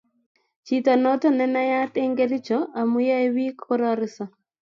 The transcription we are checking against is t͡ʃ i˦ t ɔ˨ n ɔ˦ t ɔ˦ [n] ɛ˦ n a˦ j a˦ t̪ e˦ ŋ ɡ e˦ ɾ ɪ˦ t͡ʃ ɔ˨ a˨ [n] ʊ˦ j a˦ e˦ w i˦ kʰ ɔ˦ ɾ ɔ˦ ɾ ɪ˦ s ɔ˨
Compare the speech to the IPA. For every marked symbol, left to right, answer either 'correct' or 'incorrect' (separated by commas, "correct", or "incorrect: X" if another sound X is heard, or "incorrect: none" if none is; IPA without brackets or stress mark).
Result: correct, incorrect: m